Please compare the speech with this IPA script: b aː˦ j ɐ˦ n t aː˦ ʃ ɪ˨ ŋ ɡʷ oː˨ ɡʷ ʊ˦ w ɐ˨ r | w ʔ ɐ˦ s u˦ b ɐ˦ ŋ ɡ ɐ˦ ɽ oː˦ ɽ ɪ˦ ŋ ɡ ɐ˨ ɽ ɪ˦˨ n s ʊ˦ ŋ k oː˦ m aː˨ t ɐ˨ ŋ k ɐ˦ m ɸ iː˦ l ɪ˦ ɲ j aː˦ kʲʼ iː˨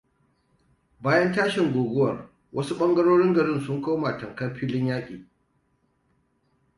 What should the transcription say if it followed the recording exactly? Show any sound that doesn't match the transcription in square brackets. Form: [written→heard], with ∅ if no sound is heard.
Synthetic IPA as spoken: b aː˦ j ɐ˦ n t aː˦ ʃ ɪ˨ ŋ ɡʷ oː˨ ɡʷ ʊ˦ w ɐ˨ r | w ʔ ɐ˦ s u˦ [b→ɓ] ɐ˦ ŋ ɡ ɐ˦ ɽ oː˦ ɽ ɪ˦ ŋ ɡ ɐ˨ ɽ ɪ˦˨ n s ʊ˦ ŋ k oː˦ m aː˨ t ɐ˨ ŋ k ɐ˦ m ɸ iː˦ l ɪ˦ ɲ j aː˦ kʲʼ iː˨